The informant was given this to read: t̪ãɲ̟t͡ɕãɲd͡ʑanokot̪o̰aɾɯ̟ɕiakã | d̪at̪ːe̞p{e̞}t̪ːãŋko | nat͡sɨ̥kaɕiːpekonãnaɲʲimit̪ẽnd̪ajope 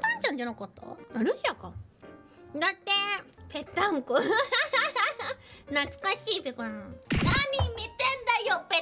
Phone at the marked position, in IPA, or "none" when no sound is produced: e̞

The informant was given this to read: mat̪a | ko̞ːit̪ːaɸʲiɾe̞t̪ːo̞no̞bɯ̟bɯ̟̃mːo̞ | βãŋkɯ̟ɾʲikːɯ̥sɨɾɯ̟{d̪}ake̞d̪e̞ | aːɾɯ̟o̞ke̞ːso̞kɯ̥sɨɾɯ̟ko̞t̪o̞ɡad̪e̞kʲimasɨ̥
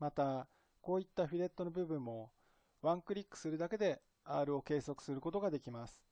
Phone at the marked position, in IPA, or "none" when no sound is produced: d̪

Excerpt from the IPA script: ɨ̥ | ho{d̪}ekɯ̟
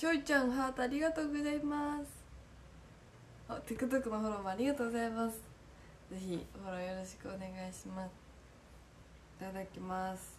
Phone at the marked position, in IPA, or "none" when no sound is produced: t̪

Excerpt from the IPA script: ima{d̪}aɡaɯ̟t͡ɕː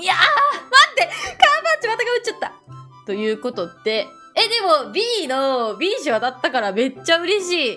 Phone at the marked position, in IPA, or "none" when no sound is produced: t̪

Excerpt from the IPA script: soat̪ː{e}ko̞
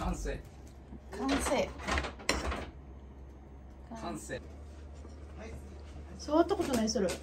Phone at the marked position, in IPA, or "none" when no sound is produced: a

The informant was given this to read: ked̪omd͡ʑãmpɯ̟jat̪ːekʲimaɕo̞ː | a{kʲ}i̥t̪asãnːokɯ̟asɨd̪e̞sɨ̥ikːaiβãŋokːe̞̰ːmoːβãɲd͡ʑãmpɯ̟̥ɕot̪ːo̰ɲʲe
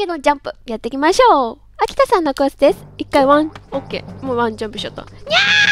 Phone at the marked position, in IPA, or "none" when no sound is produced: kʲ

